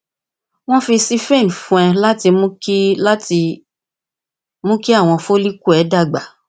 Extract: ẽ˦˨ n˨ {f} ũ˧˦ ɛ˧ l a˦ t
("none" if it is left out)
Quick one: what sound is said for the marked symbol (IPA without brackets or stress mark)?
f